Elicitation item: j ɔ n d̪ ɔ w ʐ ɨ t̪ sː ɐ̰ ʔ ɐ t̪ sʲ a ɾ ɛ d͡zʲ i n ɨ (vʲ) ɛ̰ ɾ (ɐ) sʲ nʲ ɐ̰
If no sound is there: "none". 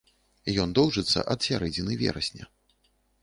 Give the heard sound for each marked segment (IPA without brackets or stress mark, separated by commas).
vʲ, ɐ